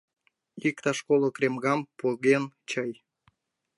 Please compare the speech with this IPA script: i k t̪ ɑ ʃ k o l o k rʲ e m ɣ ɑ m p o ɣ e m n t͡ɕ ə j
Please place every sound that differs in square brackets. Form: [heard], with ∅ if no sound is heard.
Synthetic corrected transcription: i k t̪ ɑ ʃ k o l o k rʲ e m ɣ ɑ m p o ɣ e [∅] n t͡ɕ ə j